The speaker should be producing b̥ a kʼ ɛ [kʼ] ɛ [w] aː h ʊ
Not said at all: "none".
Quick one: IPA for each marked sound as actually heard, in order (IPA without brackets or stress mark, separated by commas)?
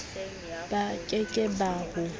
kʼ, b